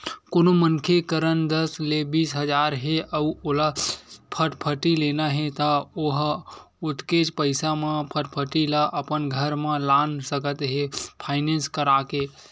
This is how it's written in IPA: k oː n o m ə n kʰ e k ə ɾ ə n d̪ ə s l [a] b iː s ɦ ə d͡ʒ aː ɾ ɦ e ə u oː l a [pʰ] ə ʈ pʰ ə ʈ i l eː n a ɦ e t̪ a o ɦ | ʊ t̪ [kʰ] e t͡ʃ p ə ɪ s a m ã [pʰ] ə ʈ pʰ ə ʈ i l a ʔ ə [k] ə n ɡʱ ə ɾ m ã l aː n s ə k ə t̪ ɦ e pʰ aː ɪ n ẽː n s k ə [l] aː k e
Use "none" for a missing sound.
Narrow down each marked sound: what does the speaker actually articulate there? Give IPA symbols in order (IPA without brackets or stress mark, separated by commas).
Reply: e, pʰ, k, pʰ, p, ɾ